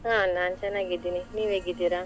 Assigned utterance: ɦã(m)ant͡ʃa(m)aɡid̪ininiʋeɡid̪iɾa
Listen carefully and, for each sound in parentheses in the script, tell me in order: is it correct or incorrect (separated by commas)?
incorrect, incorrect